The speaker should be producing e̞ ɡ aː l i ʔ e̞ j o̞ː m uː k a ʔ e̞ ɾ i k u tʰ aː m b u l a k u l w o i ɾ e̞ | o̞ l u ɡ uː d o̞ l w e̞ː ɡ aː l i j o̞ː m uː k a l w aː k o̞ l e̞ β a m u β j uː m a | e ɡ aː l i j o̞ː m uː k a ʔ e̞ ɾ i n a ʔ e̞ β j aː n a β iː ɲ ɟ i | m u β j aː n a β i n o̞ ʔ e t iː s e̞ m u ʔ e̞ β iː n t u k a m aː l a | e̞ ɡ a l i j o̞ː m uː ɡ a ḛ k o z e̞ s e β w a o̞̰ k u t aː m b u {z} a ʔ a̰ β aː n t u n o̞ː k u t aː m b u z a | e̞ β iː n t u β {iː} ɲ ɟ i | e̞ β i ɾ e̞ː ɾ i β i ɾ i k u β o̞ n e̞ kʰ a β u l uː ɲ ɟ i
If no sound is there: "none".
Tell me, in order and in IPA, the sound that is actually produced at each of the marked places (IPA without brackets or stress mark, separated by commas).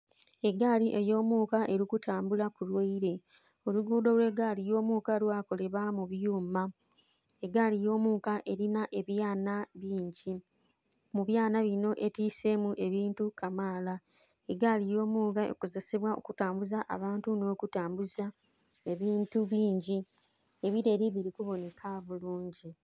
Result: z, iː